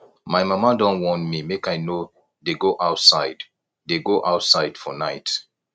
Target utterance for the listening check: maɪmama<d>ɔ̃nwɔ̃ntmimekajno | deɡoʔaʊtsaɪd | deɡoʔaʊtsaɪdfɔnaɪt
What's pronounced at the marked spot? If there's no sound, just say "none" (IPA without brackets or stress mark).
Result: d